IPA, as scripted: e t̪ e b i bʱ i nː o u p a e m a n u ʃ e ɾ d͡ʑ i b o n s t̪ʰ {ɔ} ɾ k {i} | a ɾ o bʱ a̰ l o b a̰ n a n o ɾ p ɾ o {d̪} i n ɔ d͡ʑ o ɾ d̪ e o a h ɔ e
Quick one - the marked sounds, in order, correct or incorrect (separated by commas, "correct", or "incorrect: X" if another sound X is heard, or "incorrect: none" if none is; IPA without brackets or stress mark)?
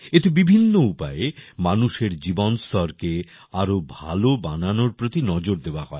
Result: correct, incorrect: e, incorrect: t̪